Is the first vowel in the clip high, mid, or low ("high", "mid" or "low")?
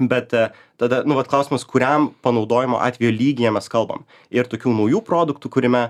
mid